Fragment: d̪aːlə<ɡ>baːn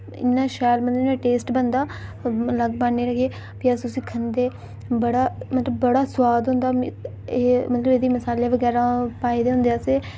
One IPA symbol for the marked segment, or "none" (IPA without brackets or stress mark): ɡ